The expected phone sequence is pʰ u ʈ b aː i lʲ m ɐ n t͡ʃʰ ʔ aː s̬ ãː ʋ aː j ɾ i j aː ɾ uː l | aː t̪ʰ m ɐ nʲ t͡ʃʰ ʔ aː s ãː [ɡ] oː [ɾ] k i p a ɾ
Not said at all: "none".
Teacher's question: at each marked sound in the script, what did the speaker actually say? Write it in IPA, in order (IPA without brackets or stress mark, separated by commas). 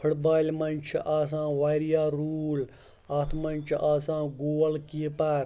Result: ɡ, l